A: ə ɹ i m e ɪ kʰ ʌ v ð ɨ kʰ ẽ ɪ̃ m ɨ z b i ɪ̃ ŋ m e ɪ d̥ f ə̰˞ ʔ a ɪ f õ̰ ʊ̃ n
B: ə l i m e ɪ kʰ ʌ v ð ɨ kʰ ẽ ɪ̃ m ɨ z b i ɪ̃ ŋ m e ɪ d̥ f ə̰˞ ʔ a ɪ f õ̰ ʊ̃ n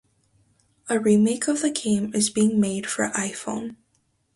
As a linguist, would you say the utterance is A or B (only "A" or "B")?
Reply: A